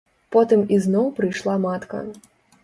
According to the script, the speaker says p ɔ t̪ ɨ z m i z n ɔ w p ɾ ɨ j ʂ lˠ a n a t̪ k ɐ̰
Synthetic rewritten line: p ɔ t̪ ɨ m i z n ɔ w p ɾ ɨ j ʂ lˠ a m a t̪ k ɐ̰